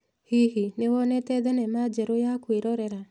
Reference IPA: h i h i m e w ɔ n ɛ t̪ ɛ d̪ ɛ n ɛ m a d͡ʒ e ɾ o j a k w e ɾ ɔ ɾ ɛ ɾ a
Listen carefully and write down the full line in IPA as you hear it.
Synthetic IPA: h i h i n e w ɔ n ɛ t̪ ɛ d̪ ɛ n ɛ m a d͡ʒ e ɾ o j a k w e ɾ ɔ ɾ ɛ ɾ a